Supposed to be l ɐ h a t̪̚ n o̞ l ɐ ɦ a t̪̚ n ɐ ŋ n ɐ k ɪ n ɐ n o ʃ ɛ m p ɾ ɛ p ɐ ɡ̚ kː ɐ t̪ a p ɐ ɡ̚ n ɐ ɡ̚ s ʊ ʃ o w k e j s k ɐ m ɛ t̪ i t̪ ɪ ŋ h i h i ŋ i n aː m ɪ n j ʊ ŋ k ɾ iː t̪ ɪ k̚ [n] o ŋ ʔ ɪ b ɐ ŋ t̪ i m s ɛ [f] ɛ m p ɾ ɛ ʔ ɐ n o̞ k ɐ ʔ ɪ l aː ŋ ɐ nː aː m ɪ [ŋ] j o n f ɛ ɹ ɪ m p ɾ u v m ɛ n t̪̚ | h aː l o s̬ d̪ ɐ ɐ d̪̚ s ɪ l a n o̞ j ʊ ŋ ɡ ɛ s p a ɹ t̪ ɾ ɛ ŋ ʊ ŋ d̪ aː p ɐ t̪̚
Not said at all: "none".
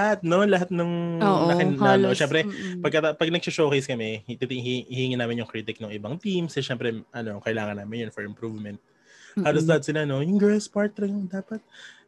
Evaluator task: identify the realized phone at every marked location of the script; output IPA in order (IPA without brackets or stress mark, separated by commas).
n, ʃ, n